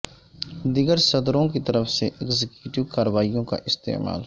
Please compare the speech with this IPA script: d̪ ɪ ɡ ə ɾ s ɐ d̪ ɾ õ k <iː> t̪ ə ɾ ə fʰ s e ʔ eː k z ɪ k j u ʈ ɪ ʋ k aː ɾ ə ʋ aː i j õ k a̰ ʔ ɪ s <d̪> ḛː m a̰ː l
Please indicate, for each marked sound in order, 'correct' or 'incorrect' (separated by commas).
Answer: incorrect, incorrect